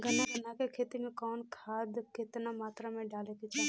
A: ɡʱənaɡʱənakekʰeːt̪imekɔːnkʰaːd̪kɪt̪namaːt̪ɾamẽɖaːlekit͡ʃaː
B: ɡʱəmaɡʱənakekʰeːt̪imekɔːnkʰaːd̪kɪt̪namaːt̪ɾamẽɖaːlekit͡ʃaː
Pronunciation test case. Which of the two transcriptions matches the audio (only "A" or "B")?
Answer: A